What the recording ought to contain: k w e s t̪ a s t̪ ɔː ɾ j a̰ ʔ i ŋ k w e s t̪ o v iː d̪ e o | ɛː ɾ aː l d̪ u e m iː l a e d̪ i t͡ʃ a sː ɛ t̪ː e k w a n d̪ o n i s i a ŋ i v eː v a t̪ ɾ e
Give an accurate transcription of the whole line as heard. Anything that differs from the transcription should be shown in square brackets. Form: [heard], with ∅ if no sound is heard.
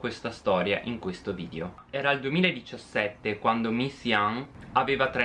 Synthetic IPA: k w e s t̪ a s t̪ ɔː ɾ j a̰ ʔ i ŋ k w e s t̪ o v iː d̪ e o | ɛː ɾ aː l d̪ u e m iː l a e d̪ i t͡ʃ a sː ɛ t̪ː e k w a n d̪ o [m] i s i a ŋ [a] v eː v a t̪ ɾ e